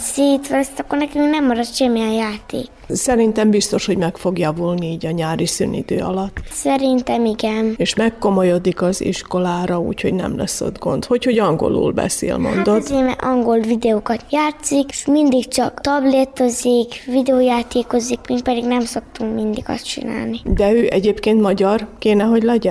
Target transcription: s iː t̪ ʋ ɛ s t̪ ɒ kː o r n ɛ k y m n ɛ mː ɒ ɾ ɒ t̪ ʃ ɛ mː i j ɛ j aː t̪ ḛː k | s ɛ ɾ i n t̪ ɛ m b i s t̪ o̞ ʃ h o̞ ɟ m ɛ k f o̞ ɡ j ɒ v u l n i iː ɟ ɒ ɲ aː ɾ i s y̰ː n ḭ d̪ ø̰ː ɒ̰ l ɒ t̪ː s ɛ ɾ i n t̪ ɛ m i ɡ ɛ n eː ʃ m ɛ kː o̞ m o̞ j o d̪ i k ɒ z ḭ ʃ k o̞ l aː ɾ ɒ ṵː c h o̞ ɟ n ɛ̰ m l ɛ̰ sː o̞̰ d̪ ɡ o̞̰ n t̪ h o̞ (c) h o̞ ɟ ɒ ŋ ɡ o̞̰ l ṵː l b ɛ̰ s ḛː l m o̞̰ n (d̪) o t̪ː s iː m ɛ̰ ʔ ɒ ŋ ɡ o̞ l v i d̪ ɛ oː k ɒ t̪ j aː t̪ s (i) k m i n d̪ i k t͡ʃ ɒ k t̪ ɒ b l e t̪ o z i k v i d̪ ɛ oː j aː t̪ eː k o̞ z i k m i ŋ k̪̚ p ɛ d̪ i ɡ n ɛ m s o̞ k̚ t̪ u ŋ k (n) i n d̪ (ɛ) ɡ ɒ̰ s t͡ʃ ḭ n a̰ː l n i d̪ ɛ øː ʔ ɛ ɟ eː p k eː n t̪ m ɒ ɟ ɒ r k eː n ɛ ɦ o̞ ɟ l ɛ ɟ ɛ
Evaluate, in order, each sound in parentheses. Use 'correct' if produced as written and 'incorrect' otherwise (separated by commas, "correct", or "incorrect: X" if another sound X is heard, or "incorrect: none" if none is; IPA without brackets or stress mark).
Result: correct, correct, correct, incorrect: m, incorrect: i